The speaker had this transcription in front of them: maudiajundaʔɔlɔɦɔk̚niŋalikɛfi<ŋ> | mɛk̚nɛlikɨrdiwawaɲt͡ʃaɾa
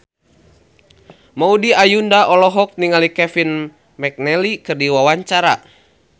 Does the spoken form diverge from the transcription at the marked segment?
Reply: yes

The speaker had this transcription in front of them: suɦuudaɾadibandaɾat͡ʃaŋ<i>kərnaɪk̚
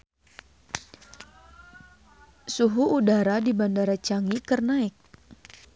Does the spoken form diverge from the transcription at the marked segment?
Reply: no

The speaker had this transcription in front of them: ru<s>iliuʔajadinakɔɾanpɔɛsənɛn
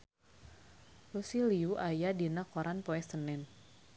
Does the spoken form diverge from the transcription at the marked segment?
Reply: no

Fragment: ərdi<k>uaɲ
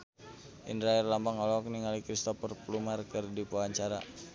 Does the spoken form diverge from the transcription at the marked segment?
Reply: yes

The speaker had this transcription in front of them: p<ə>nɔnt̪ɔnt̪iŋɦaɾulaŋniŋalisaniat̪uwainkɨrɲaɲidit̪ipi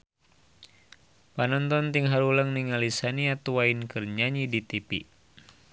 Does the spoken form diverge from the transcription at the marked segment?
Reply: yes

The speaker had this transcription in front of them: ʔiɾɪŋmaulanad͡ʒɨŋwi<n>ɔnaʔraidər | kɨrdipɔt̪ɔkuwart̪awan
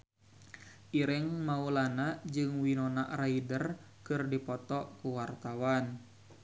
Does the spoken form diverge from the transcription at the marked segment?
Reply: no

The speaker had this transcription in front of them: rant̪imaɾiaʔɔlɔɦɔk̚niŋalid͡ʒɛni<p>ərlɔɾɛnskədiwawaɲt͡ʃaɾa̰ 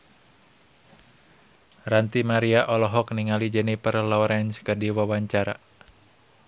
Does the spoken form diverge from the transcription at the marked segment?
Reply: no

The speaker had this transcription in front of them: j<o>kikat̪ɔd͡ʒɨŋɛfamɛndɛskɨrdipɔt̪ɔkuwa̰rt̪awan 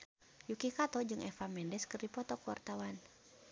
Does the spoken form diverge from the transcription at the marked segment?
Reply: yes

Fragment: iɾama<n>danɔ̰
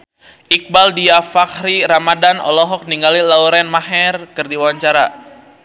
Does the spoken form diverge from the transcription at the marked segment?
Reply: yes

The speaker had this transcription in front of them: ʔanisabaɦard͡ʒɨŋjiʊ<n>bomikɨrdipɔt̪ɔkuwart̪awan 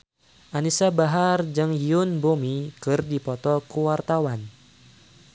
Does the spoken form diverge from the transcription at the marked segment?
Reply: no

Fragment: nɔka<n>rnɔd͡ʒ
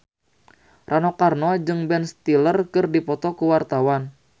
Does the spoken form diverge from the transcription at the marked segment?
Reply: yes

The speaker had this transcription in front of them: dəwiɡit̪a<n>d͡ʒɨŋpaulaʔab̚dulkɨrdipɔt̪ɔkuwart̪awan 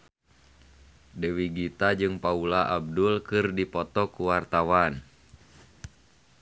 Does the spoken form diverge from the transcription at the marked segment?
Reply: yes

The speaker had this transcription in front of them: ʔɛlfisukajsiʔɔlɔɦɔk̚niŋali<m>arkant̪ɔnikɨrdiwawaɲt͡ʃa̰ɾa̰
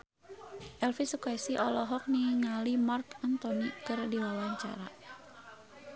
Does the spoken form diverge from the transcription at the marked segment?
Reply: no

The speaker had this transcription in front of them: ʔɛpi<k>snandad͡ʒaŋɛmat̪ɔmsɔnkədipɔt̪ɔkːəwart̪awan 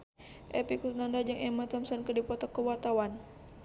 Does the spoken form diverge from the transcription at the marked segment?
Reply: no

